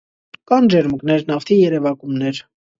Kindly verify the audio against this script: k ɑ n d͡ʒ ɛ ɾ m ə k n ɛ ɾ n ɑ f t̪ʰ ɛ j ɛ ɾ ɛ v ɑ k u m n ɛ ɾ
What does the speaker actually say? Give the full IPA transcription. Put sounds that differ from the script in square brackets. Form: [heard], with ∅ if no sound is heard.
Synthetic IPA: k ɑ n d͡ʒ ɛ ɾ m ə k n ɛ ɾ n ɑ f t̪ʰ [i] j ɛ ɾ ɛ v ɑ k u m n ɛ ɾ

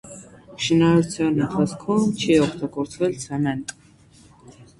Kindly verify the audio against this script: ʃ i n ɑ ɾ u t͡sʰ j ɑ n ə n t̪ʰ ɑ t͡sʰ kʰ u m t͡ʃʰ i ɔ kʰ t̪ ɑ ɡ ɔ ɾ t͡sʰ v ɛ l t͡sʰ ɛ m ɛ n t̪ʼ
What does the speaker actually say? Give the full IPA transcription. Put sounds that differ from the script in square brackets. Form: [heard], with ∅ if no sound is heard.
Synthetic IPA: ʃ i n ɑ ɾ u t͡sʰ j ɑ n ə n t̪ʰ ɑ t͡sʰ kʰ u m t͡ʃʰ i ɔ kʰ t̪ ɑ ɡ ɔ ɾ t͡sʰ v ɛ l t͡sʰ ɛ m ɛ n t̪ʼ

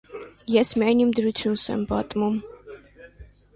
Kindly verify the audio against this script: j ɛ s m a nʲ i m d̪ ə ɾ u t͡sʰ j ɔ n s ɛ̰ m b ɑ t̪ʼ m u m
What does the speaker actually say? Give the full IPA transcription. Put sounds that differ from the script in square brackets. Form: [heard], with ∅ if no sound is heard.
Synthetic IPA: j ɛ s m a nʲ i m d̪ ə ɾ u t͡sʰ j [u] n s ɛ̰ m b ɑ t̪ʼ m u m

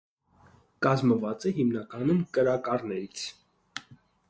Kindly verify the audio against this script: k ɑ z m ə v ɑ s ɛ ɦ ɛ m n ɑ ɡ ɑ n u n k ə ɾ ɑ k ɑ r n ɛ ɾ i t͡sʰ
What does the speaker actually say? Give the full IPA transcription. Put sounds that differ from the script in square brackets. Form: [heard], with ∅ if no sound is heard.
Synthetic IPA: k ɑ z m ə v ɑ [t͡s] ɛ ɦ [i] m n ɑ [k] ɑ n u [m] k ə ɾ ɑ k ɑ r n ɛ ɾ i t͡sʰ

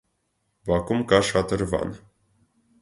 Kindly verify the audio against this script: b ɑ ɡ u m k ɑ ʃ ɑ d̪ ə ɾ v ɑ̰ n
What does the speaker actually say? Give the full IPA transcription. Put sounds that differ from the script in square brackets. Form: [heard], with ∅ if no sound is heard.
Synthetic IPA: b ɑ [k] u m k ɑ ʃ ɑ [t̪] ə ɾ v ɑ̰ n

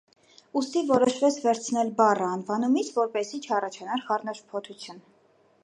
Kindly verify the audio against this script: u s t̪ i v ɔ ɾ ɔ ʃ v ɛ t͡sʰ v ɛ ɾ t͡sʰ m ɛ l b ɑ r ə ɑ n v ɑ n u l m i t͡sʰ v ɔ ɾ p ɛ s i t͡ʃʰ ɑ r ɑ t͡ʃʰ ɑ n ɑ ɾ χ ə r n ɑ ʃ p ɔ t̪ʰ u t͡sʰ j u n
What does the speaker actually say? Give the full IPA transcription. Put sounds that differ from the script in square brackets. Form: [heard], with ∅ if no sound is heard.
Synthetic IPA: u s t̪ i v ɔ ɾ ɔ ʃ v ɛ t͡sʰ v ɛ ɾ t͡sʰ [n] ɛ l b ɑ r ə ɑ n v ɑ n u [∅] m i t͡sʰ v ɔ ɾ p ɛ s i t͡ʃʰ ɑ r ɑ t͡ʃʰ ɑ n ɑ ɾ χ [ɑ] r n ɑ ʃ [pʰ] ɔ t̪ʰ u t͡sʰ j u n

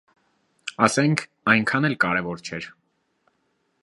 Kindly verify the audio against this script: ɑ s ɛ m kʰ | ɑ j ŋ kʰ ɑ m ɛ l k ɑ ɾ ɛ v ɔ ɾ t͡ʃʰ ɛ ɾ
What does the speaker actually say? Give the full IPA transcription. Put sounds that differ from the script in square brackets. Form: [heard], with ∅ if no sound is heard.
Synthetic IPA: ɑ s ɛ [ŋ] kʰ | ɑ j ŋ kʰ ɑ [n] ɛ l k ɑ ɾ ɛ v ɔ ɾ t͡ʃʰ ɛ ɾ

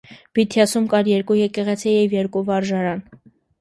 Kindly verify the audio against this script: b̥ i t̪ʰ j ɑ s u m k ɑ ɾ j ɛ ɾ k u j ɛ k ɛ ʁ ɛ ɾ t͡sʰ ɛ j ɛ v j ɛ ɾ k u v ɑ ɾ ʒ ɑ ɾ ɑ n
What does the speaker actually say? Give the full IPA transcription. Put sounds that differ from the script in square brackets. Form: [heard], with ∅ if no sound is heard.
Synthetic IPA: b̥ i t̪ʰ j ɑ s u m k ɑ ɾ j ɛ ɾ k u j ɛ k ɛ ʁ ɛ [∅] t͡sʰ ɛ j ɛ v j ɛ ɾ k u v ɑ ɾ ʒ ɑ ɾ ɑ n

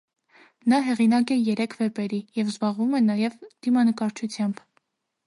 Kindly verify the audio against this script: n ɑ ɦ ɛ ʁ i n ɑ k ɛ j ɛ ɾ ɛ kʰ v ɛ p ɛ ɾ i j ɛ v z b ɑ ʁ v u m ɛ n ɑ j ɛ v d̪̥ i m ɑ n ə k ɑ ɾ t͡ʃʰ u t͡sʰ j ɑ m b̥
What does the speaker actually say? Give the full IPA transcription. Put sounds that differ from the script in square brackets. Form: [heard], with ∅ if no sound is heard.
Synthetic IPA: n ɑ ɦ ɛ ʁ i n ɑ k ɛ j ɛ ɾ ɛ kʰ v ɛ p ɛ ɾ i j ɛ v z b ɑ ʁ v u m ɛ n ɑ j ɛ v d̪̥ i m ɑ n ə k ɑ ɾ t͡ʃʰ u t͡sʰ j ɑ m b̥

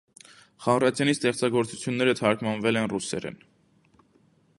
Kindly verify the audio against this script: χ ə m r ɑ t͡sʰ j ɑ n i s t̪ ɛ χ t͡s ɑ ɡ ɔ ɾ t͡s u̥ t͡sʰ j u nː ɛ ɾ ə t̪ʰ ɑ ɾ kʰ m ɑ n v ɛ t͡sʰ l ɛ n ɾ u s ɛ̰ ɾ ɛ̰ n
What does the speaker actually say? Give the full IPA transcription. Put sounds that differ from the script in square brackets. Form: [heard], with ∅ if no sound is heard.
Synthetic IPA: χ [ɑ] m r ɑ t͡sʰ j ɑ n i s t̪ ɛ χ t͡s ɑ ɡ ɔ ɾ t͡s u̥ t͡sʰ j u nː ɛ ɾ ə t̪ʰ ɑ ɾ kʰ m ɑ n v ɛ [∅] l ɛ n [r] u s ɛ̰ ɾ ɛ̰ n

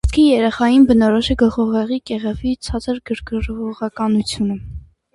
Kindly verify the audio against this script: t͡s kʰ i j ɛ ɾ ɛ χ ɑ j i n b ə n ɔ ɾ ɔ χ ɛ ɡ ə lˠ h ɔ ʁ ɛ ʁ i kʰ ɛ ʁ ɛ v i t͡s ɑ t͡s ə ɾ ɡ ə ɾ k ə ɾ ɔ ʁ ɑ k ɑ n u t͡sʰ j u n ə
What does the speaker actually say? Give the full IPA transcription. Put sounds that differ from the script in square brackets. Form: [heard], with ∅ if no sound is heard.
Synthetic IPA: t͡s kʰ i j ɛ ɾ ɛ χ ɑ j i n b ə n ɔ ɾ ɔ [ʃ] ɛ ɡ ə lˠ [χ] ɔ ʁ ɛ ʁ i [k] ɛ ʁ ɛ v i [t͡sʰ] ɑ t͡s ə ɾ ɡ ə ɾ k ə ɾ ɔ ʁ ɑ k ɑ n u t͡sʰ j u n ə

